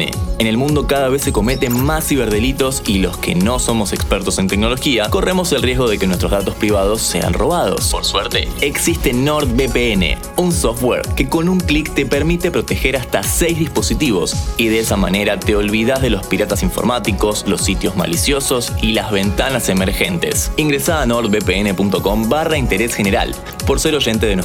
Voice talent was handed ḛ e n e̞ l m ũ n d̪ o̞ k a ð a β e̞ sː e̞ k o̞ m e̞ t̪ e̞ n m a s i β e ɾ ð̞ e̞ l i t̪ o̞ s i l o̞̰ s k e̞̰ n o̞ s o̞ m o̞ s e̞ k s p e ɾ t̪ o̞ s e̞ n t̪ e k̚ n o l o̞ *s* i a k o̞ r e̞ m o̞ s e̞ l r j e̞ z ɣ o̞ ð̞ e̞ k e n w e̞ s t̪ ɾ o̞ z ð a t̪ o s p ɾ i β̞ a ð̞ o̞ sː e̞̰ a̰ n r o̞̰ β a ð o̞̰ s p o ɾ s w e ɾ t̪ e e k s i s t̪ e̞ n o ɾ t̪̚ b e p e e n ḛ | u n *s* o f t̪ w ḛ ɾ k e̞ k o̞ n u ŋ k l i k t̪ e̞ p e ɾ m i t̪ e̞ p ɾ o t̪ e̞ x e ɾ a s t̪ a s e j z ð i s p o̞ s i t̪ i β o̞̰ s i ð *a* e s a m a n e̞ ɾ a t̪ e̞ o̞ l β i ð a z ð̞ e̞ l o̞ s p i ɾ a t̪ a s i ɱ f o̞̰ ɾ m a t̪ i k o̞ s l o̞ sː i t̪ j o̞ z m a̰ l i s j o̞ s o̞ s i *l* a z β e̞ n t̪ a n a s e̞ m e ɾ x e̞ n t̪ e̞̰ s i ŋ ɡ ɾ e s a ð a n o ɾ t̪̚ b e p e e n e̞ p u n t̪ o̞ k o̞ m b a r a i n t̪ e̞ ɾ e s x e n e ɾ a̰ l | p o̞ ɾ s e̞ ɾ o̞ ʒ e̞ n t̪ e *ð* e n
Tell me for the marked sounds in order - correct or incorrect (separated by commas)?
incorrect, correct, incorrect, correct, correct